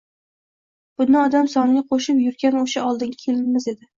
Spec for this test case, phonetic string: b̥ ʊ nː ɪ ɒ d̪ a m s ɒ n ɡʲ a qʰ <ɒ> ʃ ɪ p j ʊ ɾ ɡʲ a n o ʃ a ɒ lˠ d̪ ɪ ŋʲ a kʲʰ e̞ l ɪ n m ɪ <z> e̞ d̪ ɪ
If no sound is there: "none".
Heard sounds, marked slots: o, z

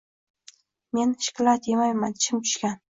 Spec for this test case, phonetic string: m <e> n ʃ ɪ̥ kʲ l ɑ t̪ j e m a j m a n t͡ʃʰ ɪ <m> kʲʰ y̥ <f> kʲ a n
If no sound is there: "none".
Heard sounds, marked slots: e, m, ʃ

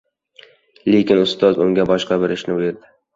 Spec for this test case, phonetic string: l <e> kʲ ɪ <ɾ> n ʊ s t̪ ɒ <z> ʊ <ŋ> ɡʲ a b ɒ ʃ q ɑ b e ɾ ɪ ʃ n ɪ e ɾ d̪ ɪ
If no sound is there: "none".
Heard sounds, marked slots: e, none, z, ŋ

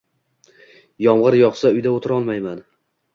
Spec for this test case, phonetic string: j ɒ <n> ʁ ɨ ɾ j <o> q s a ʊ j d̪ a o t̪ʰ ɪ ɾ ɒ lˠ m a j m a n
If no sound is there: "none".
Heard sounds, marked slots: m, ɒ

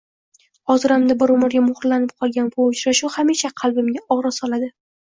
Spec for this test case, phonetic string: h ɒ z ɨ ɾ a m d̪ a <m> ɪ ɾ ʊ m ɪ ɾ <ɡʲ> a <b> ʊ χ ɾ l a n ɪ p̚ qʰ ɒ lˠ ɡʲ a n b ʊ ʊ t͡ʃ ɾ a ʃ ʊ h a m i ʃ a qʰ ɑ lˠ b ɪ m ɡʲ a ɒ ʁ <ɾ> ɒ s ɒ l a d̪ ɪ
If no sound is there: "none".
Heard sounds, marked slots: b, ɡʲ, m, ɾ

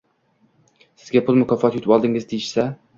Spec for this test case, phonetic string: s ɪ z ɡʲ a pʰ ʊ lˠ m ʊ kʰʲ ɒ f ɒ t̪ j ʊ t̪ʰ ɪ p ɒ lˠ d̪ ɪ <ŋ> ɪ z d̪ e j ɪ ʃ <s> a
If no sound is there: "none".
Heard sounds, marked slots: ŋ, s

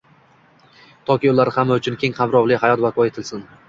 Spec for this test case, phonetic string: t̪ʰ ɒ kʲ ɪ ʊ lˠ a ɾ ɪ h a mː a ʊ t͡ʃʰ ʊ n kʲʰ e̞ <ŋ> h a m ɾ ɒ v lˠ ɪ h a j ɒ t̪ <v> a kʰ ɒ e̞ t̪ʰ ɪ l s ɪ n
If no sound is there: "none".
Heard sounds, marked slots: ŋ, v

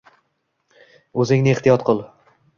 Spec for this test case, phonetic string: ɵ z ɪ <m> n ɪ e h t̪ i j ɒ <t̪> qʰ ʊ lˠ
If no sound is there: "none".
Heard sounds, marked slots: ŋ, t̪

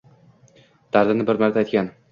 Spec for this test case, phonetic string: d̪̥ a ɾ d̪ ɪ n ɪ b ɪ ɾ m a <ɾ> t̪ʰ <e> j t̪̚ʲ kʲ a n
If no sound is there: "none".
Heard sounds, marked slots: ɾ, a

